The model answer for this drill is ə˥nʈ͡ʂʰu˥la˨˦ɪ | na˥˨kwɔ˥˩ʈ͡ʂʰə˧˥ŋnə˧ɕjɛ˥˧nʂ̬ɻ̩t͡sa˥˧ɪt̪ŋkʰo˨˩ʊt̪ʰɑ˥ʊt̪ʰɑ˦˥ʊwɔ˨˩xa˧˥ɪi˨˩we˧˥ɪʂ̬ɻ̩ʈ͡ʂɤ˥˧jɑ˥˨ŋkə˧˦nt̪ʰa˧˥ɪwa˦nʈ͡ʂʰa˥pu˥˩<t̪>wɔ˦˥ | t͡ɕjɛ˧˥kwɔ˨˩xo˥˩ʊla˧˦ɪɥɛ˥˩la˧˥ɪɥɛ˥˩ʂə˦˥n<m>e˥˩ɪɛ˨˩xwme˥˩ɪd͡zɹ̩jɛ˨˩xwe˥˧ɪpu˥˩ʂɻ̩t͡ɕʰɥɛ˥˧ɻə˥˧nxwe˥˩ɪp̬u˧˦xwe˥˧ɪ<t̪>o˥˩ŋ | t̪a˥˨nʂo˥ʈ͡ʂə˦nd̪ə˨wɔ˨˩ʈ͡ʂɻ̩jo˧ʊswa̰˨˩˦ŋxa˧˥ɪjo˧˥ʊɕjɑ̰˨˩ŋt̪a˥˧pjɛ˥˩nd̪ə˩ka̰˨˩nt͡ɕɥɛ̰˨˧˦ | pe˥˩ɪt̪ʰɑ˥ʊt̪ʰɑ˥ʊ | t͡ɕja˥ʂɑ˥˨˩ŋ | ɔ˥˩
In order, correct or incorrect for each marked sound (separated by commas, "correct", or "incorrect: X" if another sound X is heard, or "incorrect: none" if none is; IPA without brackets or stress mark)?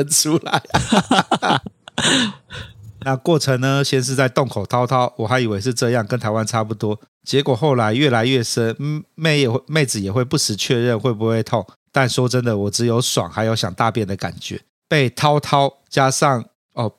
correct, correct, incorrect: t̪ʰ